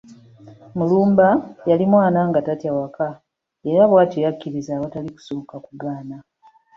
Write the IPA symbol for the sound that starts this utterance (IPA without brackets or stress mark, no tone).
m